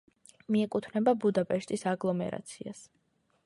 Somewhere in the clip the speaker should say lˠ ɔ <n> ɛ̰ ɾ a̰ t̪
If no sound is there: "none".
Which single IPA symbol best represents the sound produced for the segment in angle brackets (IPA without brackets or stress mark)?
m